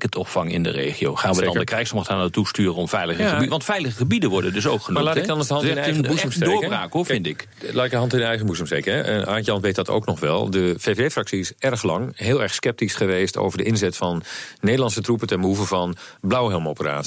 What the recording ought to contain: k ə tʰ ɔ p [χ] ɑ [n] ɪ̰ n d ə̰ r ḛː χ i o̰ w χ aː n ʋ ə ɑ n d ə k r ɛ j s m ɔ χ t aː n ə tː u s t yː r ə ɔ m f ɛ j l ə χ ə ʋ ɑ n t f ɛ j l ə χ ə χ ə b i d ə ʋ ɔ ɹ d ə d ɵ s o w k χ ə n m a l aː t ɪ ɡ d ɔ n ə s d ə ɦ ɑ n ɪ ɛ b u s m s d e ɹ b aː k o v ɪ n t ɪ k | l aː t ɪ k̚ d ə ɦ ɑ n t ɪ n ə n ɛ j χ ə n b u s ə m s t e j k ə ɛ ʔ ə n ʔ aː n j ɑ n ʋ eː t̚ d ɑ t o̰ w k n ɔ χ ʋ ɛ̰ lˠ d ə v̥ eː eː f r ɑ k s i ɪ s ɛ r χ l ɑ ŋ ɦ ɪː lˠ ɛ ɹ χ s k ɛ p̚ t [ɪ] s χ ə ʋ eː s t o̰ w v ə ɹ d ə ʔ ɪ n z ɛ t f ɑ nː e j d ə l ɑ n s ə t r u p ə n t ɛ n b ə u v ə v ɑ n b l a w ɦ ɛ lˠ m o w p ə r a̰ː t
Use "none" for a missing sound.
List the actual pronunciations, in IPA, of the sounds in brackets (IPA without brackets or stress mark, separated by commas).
f, ŋ, i